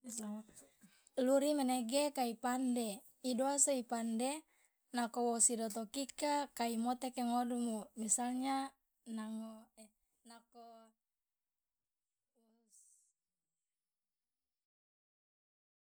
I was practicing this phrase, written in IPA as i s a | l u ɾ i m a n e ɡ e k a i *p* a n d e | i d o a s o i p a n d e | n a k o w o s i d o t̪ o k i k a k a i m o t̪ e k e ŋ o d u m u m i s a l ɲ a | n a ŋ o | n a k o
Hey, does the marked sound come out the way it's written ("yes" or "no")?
yes